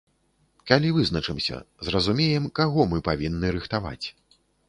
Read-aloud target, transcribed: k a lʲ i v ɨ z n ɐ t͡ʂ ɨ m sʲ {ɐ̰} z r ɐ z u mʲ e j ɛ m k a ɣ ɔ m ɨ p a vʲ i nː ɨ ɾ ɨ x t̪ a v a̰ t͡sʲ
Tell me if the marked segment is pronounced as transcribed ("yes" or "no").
yes